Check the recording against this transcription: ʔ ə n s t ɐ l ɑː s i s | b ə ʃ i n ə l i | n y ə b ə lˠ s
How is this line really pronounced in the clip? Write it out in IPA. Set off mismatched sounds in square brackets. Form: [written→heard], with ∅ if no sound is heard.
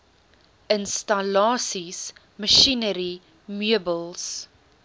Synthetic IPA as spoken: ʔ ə n s t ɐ l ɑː s i s | [b→m] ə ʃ i n ə [l→ɾ] i | [n→m] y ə b ə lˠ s